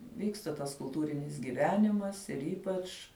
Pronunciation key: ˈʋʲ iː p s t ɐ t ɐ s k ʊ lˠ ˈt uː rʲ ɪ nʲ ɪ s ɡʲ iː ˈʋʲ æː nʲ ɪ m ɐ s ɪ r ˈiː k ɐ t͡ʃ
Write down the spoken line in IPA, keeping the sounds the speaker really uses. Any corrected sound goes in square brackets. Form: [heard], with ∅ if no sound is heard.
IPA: ˈʋʲ iː [k] s t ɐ t ɐ s k ʊ lˠ ˈt uː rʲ ɪ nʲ ɪ s ɡʲ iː ˈʋʲ æː nʲ ɪ m ɐ s ɪ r ˈiː [p] ɐ t͡ʃ